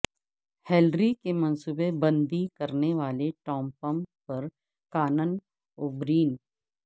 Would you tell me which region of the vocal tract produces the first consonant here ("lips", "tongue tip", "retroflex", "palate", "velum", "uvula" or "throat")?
throat